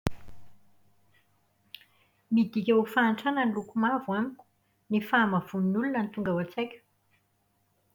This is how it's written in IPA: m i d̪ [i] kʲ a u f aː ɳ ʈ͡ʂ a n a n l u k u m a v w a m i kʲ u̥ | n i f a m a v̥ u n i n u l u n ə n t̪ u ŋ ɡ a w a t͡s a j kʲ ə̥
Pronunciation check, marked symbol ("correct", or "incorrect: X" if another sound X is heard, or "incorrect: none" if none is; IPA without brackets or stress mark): correct